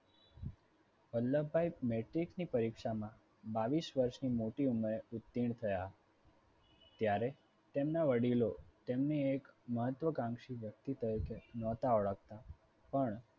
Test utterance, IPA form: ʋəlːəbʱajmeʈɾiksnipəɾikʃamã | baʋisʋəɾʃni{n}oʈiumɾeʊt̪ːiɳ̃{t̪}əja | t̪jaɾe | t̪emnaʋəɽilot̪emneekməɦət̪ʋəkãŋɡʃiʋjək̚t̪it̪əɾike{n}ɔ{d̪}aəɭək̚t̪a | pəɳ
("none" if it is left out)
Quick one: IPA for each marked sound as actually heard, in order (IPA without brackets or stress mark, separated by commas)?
m, t̪ʰ, n, t̪